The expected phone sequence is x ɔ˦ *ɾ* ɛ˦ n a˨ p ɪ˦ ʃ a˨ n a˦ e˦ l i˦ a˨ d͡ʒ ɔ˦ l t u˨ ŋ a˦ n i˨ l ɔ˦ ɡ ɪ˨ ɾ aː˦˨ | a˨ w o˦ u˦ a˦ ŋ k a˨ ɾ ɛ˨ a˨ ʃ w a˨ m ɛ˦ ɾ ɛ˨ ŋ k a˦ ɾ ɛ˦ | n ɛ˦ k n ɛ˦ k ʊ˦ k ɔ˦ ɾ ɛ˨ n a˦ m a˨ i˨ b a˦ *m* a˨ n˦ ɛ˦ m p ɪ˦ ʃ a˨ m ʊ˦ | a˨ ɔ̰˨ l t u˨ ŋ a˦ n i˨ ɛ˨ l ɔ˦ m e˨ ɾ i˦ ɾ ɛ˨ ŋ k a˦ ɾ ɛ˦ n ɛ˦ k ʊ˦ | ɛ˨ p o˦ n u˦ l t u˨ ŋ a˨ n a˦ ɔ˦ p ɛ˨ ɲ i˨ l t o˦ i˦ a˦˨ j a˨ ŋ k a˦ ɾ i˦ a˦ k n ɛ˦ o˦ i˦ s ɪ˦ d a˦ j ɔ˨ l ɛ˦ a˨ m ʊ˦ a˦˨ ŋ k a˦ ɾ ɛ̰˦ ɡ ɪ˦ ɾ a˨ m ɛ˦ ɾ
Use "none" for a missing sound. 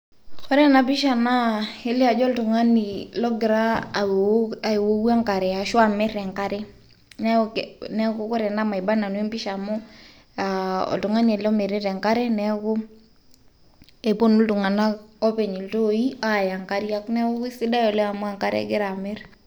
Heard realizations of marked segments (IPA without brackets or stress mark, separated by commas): ɾ, n